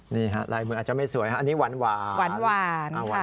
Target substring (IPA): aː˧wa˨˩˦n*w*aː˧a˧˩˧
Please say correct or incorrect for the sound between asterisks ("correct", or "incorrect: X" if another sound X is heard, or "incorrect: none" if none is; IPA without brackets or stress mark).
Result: correct